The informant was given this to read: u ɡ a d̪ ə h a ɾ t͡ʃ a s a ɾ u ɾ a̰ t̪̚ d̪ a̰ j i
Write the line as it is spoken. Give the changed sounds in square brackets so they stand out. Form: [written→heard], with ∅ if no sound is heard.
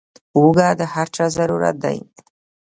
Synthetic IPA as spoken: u ɡ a d̪ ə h a ɾ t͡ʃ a [s→z] a ɾ u ɾ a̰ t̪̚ d̪ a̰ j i